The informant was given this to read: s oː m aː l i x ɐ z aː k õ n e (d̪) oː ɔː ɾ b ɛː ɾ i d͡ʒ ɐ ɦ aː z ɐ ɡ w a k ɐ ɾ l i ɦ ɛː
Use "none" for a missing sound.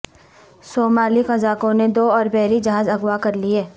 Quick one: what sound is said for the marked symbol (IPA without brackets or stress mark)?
d̪